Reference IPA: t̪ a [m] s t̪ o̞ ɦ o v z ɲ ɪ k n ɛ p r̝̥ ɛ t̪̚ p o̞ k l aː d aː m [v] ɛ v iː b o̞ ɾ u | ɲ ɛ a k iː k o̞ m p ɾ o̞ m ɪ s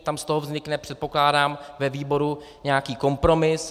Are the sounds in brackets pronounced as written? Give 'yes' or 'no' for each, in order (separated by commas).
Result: yes, yes